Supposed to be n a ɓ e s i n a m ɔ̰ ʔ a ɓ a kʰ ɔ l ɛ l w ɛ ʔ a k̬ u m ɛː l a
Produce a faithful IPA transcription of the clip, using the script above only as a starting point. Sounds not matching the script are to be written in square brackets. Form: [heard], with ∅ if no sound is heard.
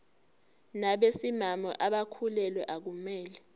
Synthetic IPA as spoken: n a ɓ e s i [m] a m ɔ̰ ʔ a ɓ a kʰ [u] l ɛ l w ɛ ʔ a k̬ u m ɛː l [ɛ]

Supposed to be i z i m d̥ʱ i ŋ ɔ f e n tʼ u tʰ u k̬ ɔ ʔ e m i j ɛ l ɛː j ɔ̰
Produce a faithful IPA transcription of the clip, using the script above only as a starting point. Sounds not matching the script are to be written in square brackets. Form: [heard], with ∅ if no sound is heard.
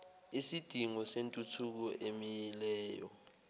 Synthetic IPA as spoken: i [s] i [∅] d̥ʱ i ŋ ɔ [s] e n tʼ u tʰ u k̬ ɔ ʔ e m i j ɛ l ɛː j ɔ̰

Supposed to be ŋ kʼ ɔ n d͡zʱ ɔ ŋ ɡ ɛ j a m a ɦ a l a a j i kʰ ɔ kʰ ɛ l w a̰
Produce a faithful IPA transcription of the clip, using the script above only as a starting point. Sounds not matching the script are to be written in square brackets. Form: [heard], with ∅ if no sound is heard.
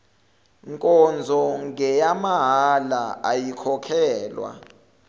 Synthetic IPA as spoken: ŋ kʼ ɔ n d͡zʱ ɔ ŋ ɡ ɛ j a m a ɦ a l a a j i kʰ ɔ kʰ [ɛː] l w a̰

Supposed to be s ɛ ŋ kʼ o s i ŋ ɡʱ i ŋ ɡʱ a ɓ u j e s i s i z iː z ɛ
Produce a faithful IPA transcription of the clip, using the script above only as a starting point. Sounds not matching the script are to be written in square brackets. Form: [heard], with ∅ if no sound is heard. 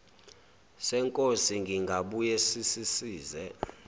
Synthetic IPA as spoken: s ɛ ŋ kʼ o s i ŋ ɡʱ i ŋ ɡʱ a ɓ u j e s i s i [s] iː z ɛ

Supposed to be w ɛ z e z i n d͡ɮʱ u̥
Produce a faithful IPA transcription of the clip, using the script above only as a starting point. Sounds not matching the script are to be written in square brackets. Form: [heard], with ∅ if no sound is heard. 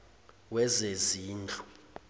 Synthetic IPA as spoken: w ɛ z e z [iː] n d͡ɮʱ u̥

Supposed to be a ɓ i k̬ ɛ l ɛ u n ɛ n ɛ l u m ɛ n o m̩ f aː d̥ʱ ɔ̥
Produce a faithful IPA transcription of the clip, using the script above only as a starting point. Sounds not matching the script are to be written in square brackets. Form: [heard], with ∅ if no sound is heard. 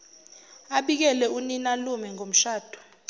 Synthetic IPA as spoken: a ɓ i k̬ ɛ l ɛ u n [i] n [a] l u m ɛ [ŋ] o m̩ [ʃ] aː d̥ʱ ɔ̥

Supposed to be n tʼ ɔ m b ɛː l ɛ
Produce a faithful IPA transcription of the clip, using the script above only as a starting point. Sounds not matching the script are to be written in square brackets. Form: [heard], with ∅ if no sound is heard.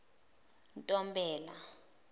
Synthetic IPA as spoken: n tʼ ɔ m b ɛː l [a]

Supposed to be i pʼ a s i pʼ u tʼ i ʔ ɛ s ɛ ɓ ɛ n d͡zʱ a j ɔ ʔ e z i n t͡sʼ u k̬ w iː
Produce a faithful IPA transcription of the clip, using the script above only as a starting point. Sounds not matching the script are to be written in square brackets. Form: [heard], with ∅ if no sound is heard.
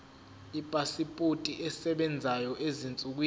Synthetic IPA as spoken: i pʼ a s i pʼ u tʼ i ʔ ɛ s ɛ ɓ ɛ n d͡zʱ a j ɔ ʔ e z i n t͡sʼ u k̬ w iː

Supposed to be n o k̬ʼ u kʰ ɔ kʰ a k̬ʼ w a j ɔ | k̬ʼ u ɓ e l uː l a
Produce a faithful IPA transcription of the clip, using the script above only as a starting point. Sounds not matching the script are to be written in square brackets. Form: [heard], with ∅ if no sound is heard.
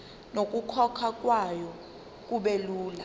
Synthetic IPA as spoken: n o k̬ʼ u kʰ ɔ kʰ a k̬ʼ w a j ɔ | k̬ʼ u ɓ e l uː l a

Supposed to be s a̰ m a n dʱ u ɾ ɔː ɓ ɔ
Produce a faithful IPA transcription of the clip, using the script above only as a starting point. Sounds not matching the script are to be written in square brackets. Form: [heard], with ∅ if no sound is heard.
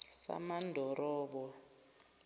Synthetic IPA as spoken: s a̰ m a n dʱ [ɔ] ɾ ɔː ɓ ɔ

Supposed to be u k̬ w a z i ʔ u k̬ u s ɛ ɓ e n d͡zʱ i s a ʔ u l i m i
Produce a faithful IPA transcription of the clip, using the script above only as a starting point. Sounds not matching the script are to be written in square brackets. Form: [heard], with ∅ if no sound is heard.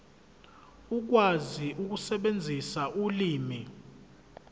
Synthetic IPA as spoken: u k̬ w a z i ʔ u k̬ u s ɛ ɓ e n d͡zʱ i s a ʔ u l [iː] m i

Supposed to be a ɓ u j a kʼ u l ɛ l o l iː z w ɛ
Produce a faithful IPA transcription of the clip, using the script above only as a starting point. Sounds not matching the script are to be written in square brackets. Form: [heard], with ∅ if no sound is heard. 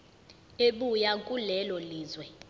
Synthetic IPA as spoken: [e] ɓ u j a kʼ u l ɛ l [ɔ] l iː z w ɛ

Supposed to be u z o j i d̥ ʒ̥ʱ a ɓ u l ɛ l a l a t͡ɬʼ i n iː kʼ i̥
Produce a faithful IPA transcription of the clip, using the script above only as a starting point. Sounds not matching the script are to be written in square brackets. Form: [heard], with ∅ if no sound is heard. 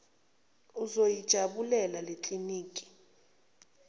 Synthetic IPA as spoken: u z o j i d̥ ʒ̥ʱ a ɓ u l ɛ l a l [e] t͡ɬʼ i n iː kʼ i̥

